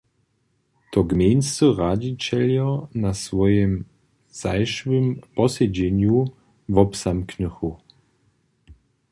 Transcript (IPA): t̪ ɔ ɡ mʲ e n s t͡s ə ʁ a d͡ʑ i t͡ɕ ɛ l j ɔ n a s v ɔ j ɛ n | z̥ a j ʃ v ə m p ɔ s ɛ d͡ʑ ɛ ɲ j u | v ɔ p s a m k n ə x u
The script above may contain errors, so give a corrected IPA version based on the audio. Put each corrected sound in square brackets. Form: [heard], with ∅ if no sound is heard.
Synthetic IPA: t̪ ɔ ɡ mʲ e n s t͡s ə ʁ a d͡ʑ i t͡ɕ ɛ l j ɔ n a s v ɔ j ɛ [m] | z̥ a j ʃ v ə m p ɔ s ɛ d͡ʑ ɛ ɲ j u | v ɔ p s a m k n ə x u

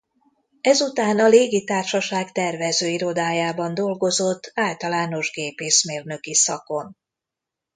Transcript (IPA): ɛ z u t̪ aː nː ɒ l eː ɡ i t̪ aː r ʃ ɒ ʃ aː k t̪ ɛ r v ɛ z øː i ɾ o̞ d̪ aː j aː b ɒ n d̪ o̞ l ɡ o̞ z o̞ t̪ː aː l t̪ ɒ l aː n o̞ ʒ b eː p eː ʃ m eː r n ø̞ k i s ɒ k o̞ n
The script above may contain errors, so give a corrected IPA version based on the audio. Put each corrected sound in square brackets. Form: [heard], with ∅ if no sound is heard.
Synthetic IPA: ɛ z u t̪ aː [n] ɒ l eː ɡ i t̪ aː r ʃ ɒ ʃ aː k t̪ ɛ r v ɛ z øː i ɾ o̞ d̪ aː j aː b ɒ n d̪ o̞ l ɡ o̞ z o̞ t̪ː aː l t̪ ɒ l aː n o̞ ʒ [ɡ] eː p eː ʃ m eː r n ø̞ k i s ɒ k o̞ n

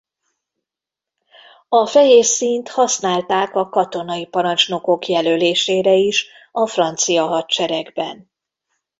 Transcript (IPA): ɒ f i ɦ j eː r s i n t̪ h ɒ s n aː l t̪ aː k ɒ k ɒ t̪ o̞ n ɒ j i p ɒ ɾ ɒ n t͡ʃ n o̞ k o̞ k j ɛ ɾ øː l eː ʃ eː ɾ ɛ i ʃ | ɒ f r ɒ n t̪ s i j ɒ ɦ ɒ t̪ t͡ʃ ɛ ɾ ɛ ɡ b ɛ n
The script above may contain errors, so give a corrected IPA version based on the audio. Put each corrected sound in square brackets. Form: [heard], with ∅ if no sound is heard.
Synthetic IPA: ɒ f [ɛ] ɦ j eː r s i n t̪ h ɒ s n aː l t̪ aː k ɒ k ɒ t̪ o̞ n ɒ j i p ɒ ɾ ɒ n t͡ʃ n o̞ k o̞ k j ɛ [l] øː l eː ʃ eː ɾ ɛ i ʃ | ɒ f r ɒ n t̪ s i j ɒ ɦ ɒ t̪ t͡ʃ ɛ ɾ ɛ ɡ b ɛ n

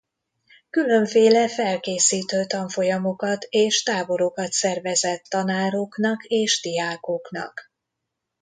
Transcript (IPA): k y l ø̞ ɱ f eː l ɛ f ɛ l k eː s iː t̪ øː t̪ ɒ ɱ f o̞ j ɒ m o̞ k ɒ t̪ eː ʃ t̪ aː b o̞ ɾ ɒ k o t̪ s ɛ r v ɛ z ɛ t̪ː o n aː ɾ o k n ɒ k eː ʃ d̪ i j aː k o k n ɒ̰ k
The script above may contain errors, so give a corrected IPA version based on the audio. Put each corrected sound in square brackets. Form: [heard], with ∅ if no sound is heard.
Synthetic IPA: k y l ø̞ ɱ f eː l ɛ f ɛ l k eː s iː t̪ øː t̪ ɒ ɱ f o̞ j ɒ m o̞ k ɒ t̪ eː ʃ t̪ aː b o̞ ɾ [o] k [ɒ] t̪ s ɛ r v ɛ z ɛ t̪ː [ɒ] n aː ɾ o k n ɒ k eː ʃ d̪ i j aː k o k n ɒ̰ k

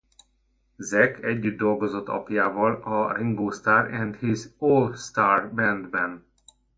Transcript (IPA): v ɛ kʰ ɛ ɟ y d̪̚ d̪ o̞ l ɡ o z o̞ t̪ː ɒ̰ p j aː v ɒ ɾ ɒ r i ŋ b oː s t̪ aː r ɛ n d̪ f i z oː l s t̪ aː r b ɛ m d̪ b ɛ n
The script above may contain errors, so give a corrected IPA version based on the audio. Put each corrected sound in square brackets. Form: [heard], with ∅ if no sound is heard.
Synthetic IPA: [z] ɛ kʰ ɛ [ɟː] y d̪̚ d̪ o̞ l ɡ o z o̞ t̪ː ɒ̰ p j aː v ɒ [l] ɒ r i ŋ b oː s t̪ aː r ɛ n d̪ [h] i z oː l s t̪ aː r b ɛ [n] d̪ b ɛ n

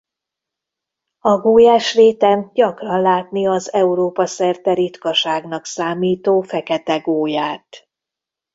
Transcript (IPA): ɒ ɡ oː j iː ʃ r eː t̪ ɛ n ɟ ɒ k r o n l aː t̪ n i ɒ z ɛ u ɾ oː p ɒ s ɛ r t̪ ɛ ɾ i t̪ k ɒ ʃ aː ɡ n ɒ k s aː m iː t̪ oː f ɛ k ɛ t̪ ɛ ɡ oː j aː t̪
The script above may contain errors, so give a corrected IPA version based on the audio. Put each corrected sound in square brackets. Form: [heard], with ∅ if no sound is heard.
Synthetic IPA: ɒ ɡ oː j [aː] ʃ r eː t̪ ɛ n ɟ ɒ k r [ɒ] n l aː t̪ n i ɒ z ɛ u ɾ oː p ɒ s ɛ r t̪ ɛ ɾ i t̪ k ɒ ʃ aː ɡ n ɒ k s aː m iː t̪ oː f ɛ k ɛ t̪ ɛ ɡ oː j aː t̪

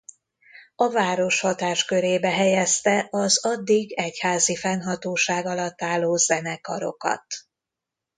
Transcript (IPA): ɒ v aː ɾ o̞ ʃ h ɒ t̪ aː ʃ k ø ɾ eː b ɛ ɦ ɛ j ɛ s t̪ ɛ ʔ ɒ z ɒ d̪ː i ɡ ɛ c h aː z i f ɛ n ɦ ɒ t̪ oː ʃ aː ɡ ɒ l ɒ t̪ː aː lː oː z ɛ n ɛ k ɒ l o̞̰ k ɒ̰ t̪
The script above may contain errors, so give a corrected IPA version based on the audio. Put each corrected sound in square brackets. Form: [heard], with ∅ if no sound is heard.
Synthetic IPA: ɒ v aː ɾ o̞ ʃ h ɒ t̪ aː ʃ k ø ɾ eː b ɛ ɦ ɛ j ɛ s t̪ ɛ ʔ ɒ z ɒ d̪ː i ɡ ɛ c h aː z i f ɛ n ɦ ɒ t̪ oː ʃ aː ɡ ɒ l ɒ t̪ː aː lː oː z ɛ n ɛ k ɒ [ɾ] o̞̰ k ɒ̰ t̪

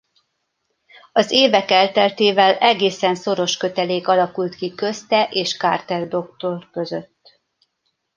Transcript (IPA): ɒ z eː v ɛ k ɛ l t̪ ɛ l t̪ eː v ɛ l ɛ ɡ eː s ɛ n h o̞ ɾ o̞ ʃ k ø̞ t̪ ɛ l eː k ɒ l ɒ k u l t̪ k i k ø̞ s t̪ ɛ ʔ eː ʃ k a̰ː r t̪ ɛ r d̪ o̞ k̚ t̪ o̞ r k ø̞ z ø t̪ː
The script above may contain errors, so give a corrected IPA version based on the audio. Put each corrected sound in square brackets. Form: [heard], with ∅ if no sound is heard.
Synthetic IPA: ɒ z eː v ɛ k ɛ l t̪ ɛ l t̪ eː v ɛ l ɛ ɡ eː s ɛ n [s] o̞ ɾ o̞ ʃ k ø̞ t̪ ɛ l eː k ɒ l ɒ k u l t̪ k i k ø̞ s t̪ ɛ ʔ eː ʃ k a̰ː r t̪ ɛ r d̪ o̞ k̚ t̪ o̞ r k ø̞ z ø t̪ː

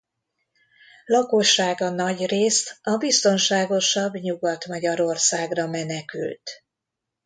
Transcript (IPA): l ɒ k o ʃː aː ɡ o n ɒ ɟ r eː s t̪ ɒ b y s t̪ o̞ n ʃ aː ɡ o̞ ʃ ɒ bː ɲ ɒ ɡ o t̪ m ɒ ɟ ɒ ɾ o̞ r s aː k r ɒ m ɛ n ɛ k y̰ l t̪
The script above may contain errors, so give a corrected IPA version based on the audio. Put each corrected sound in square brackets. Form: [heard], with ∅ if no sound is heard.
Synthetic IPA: l ɒ k o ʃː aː ɡ [ɒ] n ɒ ɟ r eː s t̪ ɒ b [i] s t̪ o̞ n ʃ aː ɡ o̞ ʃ ɒ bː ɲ [u] ɡ [ɒ] t̪ m ɒ ɟ ɒ ɾ o̞ r s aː [ɡ] r ɒ m ɛ n ɛ k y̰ l t̪

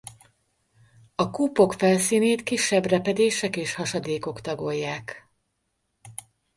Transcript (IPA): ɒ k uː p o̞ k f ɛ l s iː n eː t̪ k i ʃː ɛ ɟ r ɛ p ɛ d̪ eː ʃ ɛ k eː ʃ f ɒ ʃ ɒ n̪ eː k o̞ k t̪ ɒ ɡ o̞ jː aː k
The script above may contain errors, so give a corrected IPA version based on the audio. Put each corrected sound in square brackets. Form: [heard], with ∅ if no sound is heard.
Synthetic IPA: ɒ k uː p o̞ k f ɛ l s iː n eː t̪ k i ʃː ɛ [b] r ɛ p ɛ d̪ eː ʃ ɛ k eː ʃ [h] ɒ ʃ ɒ [d̪] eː k o̞ k t̪ ɒ ɡ o̞ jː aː k

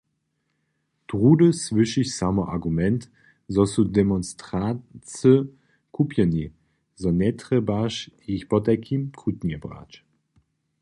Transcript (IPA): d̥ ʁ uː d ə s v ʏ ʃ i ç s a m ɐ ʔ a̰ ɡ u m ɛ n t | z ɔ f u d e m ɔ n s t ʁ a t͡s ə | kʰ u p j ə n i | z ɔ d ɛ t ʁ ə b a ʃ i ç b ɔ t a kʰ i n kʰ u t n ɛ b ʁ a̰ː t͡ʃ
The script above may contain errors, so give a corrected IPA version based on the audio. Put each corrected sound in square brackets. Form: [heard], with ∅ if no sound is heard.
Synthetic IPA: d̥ ʁ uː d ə s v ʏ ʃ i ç s a m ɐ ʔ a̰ ɡ u m ɛ n t | z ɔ [s] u d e m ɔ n s t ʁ a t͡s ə | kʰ u p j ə n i | z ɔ [n] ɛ t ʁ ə b a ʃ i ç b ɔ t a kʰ i [m] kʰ u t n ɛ b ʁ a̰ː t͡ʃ

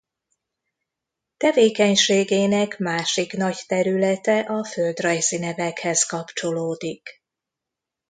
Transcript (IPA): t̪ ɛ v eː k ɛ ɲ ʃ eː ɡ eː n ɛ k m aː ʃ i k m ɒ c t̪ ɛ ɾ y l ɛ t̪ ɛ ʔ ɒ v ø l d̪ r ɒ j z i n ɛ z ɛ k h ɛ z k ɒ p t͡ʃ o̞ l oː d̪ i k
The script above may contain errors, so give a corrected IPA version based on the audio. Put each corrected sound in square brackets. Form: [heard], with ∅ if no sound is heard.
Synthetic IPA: t̪ ɛ v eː k ɛ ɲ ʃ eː ɡ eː n ɛ k m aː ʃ i k [n] ɒ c t̪ ɛ ɾ y l ɛ t̪ ɛ ʔ ɒ [f] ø l d̪ r ɒ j z i n ɛ [v] ɛ k h ɛ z k ɒ p t͡ʃ o̞ l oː d̪ i k

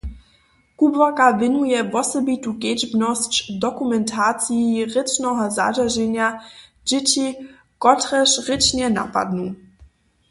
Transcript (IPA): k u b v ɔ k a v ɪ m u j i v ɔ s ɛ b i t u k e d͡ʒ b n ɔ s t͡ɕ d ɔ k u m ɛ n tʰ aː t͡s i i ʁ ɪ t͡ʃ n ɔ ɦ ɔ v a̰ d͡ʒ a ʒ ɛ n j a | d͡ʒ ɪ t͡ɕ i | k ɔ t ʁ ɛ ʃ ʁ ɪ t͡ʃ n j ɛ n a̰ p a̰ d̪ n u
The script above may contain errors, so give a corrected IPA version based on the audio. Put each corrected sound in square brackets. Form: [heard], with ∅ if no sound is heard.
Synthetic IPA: k u b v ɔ k a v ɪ [n] u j [ɛ] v ɔ s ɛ b i t u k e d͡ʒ b n ɔ s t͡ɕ d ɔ k u m ɛ n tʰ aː t͡s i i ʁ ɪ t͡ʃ n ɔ ɦ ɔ [z] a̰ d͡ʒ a ʒ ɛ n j a | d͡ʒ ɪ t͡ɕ i | k ɔ t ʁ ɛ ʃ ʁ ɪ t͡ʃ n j ɛ n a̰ p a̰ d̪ n u

